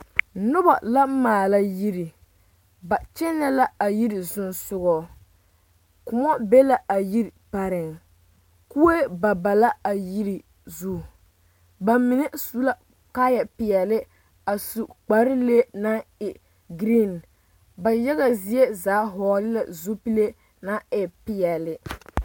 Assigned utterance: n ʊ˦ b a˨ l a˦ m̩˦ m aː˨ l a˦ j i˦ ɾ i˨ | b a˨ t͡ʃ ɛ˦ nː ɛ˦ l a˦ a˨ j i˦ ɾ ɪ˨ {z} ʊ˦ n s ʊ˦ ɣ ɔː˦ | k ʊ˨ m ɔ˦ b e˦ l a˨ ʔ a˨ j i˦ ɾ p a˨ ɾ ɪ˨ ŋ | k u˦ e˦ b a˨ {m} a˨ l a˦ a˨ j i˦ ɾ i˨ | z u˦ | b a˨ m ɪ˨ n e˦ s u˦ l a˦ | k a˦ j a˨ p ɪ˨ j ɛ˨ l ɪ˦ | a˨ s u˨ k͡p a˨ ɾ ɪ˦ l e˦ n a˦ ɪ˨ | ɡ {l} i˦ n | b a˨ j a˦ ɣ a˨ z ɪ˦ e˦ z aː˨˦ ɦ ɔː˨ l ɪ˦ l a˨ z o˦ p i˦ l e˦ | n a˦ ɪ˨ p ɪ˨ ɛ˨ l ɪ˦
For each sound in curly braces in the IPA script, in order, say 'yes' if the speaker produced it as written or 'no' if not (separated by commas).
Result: yes, no, no